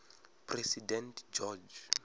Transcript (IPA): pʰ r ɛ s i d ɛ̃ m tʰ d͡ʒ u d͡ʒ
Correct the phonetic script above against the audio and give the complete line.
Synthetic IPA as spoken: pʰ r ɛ s i d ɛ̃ n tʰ d͡ʒ ɔ d͡ʒ